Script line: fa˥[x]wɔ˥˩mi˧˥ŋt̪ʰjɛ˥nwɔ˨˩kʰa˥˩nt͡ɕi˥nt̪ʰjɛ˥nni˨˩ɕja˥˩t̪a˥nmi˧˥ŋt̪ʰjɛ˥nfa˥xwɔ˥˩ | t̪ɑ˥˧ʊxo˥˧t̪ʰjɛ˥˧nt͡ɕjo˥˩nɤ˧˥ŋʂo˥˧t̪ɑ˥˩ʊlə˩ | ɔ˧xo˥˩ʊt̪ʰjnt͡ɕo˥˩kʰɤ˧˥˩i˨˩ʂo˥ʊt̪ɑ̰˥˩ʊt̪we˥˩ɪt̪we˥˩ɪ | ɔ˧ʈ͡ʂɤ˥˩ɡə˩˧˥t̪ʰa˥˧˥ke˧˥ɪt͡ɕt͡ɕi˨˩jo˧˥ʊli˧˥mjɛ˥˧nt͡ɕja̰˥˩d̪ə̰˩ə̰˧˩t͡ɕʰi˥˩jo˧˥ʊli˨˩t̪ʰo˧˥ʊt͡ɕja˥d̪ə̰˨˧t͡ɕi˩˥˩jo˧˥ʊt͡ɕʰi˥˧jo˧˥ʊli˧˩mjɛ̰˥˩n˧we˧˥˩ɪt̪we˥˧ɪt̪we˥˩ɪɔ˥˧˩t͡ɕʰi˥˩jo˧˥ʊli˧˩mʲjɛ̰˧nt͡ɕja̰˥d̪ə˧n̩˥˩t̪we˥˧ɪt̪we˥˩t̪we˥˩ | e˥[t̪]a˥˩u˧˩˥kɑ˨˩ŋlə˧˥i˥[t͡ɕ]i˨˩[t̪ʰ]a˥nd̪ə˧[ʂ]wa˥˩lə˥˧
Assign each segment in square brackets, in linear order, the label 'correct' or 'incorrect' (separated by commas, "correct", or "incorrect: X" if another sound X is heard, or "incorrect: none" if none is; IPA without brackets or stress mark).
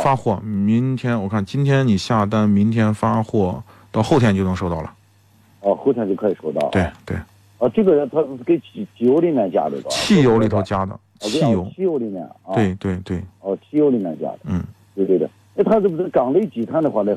correct, incorrect: t̪ʰ, correct, correct, incorrect: x